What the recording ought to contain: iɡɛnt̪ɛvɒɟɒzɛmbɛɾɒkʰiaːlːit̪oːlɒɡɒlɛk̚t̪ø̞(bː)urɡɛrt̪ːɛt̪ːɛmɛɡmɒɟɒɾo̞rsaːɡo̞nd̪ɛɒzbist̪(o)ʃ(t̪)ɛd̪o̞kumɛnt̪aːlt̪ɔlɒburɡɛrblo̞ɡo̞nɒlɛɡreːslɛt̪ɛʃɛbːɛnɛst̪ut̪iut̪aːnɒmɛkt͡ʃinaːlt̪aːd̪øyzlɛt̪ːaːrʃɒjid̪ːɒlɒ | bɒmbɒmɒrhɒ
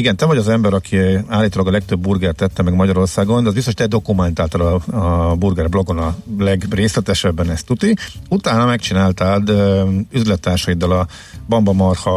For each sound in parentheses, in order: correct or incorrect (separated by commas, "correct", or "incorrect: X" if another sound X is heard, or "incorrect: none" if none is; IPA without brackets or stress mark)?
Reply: correct, correct, correct